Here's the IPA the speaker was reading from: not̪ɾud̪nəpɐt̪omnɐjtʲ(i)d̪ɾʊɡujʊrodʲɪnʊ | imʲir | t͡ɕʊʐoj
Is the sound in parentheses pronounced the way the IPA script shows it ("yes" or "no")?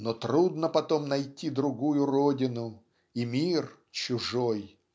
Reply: yes